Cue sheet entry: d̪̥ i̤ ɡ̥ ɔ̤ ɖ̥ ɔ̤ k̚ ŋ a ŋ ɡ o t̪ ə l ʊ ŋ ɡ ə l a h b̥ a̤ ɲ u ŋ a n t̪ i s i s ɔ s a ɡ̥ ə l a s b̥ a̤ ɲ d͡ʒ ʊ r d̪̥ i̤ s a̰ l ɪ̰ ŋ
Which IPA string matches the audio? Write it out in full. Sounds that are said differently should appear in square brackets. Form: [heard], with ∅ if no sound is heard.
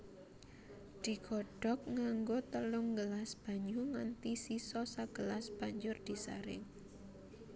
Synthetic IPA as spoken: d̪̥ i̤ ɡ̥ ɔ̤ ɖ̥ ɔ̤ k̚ ŋ a ŋ ɡ o t̪ ə l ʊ ŋ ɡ ə l a [s] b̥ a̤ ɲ u ŋ a n t̪ i s i s ɔ s a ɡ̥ ə l a s b̥ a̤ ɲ d͡ʒ ʊ r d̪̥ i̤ s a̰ [ɾ] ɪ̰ ŋ